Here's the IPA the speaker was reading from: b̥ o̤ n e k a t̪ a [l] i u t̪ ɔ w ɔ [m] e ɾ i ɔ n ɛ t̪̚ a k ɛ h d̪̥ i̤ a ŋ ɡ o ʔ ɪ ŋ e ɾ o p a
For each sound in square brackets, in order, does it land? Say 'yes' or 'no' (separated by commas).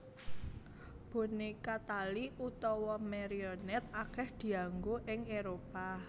yes, yes